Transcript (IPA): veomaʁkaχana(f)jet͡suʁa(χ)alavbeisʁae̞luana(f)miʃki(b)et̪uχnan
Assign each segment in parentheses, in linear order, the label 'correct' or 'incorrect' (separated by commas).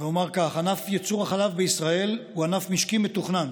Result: correct, correct, correct, incorrect